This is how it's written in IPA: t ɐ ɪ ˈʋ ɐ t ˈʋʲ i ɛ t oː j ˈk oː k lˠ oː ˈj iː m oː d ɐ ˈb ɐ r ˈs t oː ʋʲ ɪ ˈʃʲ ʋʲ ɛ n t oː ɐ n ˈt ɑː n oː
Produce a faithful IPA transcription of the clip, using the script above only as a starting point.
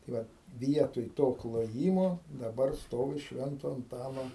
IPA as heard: t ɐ ɪ ˈʋ ɐ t ˈʋʲ i ɛ t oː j ˈt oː k lˠ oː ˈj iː m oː d ɐ ˈb ɐ r ˈs t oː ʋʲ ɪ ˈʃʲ ʋʲ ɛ n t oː ɐ n ˈt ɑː n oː